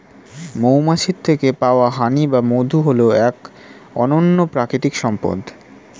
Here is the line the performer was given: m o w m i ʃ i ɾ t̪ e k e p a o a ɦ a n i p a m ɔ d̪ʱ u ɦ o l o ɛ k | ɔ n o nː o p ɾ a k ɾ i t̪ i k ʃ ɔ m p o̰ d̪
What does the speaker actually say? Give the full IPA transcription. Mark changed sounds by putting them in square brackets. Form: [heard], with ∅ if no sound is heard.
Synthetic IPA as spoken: m o w m [a] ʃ i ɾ [t̪ʰ] e k e p a o a ɦ a n i [b] a m [o] d̪ʱ u ɦ o l o ɛ k | ɔ n o nː o p ɾ a k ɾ i t̪ i k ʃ ɔ m p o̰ d̪